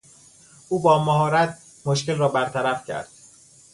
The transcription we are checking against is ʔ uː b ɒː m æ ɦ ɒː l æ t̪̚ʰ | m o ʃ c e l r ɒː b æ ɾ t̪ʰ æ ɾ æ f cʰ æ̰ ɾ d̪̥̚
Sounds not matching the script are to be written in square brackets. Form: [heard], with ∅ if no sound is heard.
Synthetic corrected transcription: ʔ uː b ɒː m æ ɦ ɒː [ɾ] æ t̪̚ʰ | m o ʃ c e l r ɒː b æ ɾ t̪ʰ æ ɾ æ f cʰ æ̰ ɾ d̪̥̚